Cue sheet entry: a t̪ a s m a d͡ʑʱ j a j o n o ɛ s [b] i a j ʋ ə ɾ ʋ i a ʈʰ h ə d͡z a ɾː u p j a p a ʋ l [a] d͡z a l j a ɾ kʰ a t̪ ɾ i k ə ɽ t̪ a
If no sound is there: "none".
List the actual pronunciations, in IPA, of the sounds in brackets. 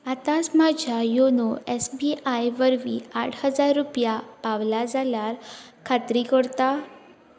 b, a

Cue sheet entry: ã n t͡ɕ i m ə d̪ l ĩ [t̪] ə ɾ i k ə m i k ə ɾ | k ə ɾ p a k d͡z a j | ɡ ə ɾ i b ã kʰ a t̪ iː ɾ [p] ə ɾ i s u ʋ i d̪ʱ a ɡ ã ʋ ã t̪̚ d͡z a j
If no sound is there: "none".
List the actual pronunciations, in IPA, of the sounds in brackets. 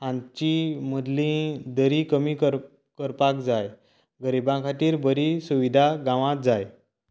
d̪, b

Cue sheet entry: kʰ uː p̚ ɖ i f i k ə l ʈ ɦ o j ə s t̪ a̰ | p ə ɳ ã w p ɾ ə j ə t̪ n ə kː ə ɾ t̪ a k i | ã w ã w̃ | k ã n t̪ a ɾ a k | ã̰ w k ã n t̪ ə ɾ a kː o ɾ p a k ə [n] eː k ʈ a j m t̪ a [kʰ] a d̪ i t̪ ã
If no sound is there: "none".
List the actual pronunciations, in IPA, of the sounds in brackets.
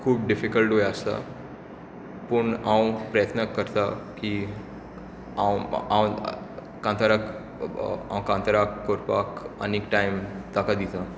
n, k

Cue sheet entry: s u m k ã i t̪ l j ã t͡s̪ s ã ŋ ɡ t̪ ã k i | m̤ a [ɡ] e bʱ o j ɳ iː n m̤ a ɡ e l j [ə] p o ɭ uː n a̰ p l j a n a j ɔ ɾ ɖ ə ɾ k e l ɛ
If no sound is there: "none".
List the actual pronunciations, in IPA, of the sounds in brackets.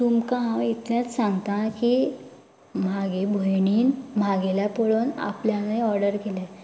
ɡ, a

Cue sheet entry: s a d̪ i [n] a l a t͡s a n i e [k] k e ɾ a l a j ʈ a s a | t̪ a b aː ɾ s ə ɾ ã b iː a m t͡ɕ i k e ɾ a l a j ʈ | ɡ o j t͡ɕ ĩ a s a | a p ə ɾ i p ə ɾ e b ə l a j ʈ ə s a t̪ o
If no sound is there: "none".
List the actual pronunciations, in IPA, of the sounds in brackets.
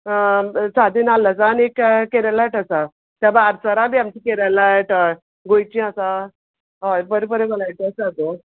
n, k

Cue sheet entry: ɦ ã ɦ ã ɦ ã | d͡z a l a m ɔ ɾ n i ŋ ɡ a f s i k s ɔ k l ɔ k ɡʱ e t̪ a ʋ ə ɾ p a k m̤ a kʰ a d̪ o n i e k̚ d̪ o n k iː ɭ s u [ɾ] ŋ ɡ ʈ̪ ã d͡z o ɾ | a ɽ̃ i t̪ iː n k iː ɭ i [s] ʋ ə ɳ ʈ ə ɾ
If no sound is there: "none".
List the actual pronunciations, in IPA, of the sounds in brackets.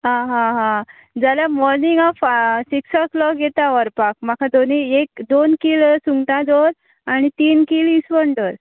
none, s

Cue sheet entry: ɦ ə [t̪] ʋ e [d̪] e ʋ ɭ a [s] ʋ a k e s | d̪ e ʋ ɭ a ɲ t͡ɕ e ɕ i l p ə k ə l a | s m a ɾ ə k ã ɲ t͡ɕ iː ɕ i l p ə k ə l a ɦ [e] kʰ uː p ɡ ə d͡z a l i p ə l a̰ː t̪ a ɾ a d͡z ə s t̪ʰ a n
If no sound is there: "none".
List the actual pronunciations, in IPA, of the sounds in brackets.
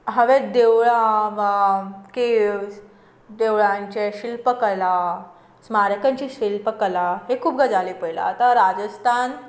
none, d̪, none, e

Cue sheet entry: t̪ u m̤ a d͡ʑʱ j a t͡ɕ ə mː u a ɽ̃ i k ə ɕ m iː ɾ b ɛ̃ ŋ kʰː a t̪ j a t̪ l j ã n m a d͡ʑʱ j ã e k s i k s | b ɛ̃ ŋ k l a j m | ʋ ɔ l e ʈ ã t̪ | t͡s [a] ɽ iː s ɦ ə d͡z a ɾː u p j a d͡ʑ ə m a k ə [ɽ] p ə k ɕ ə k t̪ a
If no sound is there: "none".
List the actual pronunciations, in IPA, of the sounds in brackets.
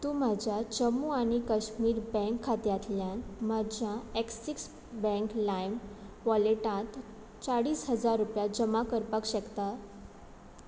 a, ɾ

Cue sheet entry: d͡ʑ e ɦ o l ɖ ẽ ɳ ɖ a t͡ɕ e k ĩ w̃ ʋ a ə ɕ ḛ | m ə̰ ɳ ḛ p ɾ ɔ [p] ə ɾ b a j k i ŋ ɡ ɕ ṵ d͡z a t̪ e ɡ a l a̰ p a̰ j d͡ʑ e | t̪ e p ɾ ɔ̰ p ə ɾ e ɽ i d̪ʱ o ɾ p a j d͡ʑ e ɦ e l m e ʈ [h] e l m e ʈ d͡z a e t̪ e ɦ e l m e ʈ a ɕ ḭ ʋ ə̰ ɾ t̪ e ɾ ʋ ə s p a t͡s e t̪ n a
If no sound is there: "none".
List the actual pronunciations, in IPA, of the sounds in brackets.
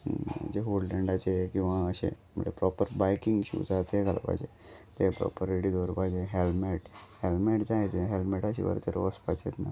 p, h

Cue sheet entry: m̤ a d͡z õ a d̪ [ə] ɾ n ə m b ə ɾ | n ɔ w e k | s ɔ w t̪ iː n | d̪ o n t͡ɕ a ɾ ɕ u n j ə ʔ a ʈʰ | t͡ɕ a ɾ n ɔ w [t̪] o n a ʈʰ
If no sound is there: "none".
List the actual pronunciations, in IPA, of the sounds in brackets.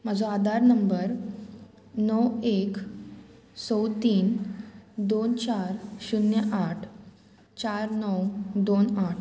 a, d̪

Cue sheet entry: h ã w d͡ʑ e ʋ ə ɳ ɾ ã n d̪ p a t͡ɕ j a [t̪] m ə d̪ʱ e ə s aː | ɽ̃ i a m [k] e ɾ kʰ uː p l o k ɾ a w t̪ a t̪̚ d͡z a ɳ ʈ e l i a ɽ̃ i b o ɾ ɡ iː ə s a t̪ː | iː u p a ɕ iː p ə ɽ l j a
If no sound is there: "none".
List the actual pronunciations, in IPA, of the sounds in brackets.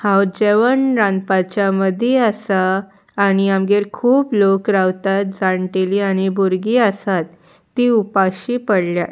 none, ɡ

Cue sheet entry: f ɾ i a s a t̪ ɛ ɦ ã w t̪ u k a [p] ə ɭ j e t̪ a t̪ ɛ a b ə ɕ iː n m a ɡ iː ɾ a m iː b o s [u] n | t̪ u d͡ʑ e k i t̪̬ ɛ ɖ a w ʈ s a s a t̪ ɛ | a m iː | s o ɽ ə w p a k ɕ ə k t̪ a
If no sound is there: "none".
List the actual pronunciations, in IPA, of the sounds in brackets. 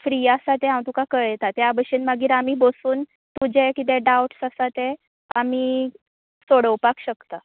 k, uː

